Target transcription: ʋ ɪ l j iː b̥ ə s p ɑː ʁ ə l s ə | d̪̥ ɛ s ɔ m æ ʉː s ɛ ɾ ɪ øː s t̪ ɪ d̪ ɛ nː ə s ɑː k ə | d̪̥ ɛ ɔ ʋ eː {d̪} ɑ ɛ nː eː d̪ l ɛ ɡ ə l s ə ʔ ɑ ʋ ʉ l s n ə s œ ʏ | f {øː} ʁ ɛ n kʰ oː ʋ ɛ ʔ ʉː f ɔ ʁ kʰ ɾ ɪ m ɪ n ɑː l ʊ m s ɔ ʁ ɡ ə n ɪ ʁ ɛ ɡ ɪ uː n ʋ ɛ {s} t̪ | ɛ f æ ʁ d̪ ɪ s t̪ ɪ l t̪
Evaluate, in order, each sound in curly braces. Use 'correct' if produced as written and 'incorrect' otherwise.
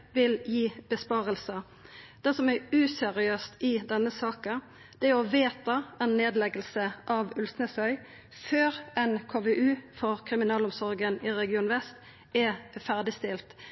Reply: incorrect, correct, correct

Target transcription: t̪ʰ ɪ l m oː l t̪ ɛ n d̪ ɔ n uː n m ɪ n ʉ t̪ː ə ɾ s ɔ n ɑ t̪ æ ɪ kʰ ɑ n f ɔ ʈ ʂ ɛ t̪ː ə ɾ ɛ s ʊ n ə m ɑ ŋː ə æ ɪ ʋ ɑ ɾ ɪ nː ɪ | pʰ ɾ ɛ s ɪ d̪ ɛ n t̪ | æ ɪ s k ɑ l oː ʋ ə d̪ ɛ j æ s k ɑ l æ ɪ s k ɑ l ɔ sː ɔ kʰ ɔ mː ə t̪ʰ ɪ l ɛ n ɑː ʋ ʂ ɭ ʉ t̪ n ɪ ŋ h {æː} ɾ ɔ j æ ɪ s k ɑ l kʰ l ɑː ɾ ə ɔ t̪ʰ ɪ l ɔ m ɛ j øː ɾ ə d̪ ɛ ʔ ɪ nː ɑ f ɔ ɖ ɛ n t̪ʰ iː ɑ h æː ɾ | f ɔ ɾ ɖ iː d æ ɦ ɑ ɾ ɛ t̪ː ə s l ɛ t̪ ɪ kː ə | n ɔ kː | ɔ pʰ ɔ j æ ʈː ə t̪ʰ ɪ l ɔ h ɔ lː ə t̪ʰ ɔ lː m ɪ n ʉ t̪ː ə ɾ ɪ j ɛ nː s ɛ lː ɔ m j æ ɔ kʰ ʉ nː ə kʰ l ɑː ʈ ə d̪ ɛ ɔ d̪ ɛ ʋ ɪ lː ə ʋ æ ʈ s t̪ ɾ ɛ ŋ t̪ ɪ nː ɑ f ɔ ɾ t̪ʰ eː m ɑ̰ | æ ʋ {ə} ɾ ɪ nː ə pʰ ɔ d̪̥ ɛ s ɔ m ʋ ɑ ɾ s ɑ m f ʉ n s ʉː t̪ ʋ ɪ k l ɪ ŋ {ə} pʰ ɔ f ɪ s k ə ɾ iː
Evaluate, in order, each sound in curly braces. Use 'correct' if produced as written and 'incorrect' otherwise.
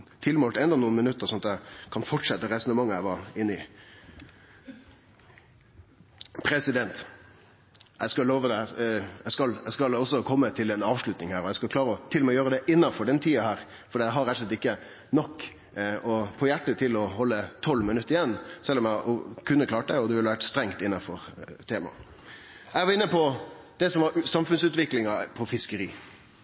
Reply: correct, incorrect, incorrect

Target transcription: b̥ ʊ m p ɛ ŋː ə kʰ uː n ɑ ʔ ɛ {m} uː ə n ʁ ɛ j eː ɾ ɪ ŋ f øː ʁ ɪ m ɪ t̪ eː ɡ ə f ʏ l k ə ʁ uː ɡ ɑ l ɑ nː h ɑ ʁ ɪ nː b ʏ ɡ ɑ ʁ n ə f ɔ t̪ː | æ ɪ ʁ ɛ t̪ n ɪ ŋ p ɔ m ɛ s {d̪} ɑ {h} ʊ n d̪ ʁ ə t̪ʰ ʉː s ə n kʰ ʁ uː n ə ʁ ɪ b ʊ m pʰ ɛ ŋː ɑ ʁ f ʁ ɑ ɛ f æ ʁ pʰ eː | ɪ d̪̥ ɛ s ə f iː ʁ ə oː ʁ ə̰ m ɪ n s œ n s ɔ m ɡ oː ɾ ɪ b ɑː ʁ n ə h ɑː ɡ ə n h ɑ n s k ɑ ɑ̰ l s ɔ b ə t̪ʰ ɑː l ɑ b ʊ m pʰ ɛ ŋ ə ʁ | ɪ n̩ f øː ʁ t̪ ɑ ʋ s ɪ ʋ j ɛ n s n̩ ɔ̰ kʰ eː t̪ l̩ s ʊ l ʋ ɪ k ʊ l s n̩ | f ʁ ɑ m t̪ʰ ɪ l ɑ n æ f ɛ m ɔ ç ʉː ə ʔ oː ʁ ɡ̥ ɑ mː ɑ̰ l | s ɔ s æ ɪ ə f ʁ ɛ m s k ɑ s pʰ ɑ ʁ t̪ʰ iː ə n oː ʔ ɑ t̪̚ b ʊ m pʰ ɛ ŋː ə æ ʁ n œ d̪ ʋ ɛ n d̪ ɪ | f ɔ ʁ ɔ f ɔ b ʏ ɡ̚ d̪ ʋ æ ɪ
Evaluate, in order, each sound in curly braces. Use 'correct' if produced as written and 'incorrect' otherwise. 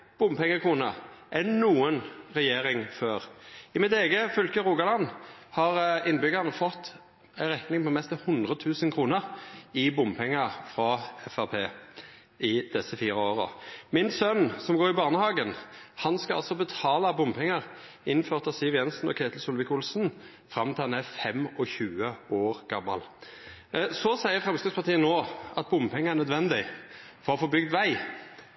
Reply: incorrect, incorrect, correct

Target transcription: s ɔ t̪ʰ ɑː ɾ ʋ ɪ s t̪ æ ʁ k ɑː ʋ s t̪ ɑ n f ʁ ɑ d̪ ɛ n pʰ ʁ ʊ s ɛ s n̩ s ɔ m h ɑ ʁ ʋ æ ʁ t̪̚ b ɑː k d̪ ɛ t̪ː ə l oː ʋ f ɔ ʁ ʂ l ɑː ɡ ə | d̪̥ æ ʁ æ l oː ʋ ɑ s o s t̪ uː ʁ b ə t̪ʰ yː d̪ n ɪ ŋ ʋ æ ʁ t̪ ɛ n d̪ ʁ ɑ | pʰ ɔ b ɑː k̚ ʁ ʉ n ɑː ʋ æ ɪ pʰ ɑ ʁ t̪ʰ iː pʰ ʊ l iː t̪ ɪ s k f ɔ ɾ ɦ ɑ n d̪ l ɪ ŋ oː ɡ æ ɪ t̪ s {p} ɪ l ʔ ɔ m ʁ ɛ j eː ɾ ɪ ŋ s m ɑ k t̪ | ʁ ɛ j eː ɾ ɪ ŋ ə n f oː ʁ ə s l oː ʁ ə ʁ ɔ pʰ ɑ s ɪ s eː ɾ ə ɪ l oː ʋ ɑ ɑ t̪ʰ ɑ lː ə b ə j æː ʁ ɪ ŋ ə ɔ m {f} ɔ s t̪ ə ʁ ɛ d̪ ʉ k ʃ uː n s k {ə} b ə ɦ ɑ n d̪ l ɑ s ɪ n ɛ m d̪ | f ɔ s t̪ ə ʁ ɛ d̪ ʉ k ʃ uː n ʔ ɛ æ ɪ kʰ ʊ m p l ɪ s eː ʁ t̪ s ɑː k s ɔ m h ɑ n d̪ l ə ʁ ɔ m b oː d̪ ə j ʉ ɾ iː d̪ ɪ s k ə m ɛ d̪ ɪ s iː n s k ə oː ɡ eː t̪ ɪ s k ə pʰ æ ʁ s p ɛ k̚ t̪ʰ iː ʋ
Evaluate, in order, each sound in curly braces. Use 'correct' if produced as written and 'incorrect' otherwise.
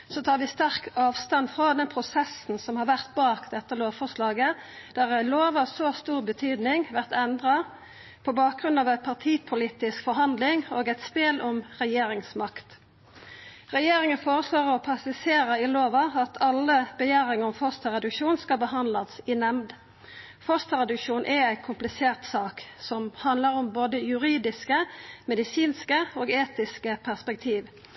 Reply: correct, correct, incorrect

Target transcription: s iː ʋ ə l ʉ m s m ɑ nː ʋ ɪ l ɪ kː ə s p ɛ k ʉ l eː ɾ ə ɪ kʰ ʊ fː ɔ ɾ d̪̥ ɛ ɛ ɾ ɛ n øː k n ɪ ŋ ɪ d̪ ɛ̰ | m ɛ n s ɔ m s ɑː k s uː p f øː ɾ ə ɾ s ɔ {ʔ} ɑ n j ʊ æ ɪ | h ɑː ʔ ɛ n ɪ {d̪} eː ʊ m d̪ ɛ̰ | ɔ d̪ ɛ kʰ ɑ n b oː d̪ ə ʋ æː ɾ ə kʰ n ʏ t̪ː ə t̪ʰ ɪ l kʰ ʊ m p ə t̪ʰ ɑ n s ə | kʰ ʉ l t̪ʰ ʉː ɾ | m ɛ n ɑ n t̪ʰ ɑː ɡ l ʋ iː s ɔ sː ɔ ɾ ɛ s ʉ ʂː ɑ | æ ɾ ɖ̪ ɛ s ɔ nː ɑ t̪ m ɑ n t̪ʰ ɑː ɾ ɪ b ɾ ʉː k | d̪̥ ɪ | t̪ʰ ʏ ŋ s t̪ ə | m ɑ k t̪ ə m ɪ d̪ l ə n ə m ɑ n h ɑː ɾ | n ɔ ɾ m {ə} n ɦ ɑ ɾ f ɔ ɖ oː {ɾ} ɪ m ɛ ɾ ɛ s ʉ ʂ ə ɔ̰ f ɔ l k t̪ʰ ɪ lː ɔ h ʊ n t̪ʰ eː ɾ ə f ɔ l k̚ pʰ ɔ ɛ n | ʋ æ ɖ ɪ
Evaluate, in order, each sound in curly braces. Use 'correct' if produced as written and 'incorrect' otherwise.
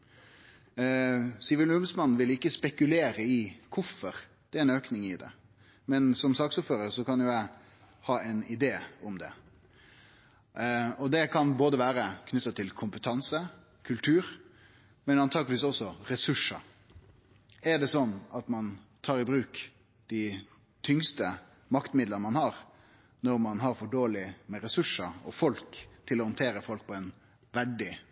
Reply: incorrect, correct, incorrect, incorrect

